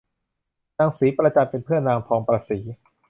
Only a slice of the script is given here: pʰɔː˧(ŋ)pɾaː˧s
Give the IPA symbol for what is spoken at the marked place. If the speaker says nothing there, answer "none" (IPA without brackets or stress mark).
ŋ